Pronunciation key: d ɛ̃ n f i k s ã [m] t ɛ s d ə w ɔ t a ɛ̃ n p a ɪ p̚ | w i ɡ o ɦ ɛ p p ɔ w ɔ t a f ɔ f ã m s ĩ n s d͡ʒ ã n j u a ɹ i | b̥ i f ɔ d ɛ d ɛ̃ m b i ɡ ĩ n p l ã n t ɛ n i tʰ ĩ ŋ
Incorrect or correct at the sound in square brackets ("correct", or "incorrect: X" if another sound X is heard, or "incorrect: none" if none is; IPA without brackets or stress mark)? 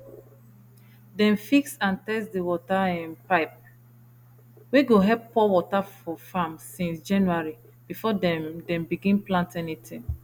incorrect: n